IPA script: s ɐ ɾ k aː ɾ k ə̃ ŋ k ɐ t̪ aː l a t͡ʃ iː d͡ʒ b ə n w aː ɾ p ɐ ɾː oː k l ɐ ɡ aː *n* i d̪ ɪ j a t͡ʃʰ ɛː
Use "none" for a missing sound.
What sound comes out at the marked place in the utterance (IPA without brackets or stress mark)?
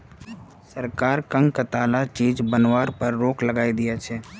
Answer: none